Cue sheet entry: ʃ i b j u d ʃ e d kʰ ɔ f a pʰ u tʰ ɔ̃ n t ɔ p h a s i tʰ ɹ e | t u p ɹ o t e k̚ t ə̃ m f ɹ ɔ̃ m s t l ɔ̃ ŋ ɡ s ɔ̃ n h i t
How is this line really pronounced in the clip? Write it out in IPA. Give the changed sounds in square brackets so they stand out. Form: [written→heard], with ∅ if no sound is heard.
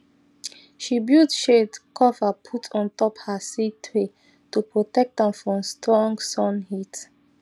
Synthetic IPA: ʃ i b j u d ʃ e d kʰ ɔ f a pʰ u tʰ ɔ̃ n t ɔ p h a s i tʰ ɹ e | t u p ɹ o t [e→ɛ] k̚ t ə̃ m f ɹ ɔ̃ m s t [l→ɹ] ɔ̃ ŋ ɡ s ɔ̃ n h i t